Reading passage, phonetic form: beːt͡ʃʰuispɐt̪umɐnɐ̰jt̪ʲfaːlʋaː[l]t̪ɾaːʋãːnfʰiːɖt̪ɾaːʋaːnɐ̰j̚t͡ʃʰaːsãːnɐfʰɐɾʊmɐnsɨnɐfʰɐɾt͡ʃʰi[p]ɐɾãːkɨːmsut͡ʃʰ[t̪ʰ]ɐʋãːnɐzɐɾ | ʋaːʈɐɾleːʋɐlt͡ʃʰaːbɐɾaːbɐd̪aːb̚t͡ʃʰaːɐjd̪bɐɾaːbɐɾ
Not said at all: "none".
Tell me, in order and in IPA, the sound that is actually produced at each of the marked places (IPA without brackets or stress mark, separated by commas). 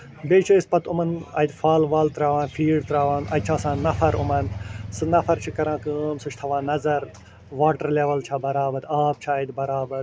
l, k, t̪ʰ